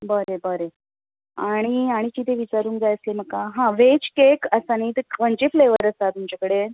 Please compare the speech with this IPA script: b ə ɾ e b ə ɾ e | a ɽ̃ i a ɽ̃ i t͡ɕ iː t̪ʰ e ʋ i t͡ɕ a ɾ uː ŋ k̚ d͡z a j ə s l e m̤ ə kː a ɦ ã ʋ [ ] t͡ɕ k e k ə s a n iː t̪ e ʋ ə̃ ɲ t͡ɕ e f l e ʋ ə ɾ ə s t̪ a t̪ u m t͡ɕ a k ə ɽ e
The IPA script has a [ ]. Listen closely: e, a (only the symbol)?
e